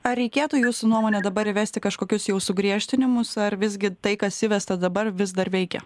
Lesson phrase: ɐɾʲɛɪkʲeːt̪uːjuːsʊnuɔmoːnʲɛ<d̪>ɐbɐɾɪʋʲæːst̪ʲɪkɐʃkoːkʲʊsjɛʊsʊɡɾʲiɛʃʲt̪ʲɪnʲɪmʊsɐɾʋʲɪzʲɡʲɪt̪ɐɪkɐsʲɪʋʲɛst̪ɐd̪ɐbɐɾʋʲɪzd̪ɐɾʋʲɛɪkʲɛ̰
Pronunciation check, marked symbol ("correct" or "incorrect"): correct